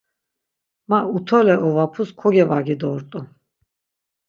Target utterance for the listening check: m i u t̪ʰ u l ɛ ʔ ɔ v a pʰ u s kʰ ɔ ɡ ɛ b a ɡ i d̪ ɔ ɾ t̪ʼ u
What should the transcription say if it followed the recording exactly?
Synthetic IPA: m a u t̪ʰ ɔ l ɛ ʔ ɔ v a pʰ u s kʰ ɔ ɡ ɛ v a ɡ i d̪ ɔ ɾ t̪ʼ u

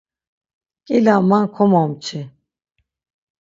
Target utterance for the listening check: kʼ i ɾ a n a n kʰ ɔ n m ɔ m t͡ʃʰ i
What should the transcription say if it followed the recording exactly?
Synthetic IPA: kʼ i l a m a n kʰ ɔ m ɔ m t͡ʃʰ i

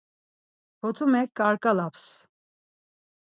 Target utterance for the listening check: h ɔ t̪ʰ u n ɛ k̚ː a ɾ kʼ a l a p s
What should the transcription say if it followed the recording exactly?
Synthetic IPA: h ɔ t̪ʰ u m ɛ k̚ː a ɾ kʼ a l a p s

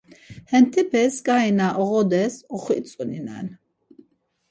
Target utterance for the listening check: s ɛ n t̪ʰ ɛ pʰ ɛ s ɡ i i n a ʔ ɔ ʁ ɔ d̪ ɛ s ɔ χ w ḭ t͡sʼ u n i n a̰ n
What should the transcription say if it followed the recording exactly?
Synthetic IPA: h ɛ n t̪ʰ ɛ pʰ ɛ s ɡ a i n a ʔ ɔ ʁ ɔ d̪ ɛ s ɔ χ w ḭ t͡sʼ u n i n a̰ n

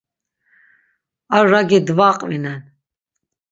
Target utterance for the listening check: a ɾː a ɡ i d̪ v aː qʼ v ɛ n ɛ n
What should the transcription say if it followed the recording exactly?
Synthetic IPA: a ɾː a ɡ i d̪ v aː qʼ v i n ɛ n

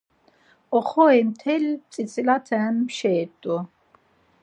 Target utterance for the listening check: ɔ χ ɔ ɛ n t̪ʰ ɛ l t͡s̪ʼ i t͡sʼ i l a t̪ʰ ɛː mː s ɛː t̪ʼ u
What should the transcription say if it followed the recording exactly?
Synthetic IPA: ɔ χ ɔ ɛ m t̪ʰ ɛ l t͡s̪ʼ i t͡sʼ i l a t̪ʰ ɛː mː ʃ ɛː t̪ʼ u

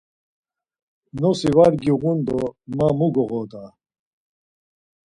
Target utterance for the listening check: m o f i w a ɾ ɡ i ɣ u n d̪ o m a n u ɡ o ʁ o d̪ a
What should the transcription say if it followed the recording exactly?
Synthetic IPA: n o s i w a ɾ ɡ i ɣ u n d̪ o m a m u ɡ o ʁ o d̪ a

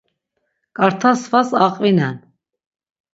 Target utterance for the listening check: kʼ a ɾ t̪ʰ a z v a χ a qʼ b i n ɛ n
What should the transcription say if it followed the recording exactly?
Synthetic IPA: kʼ a ɾ t̪ʰ a s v a s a qʼ v i n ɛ n

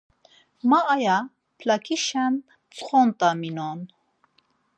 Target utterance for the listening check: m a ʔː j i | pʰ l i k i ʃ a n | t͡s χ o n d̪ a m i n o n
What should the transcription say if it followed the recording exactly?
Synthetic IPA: m a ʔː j a | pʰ l a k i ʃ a n | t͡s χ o n t̪ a m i n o n

